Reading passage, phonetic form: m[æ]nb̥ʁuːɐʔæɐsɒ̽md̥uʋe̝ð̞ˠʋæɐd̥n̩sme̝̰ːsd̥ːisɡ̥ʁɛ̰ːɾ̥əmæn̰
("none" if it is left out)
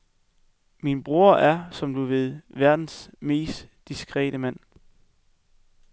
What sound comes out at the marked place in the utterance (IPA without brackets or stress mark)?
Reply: i